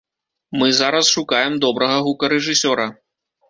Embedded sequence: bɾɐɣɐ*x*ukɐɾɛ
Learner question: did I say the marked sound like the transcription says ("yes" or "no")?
no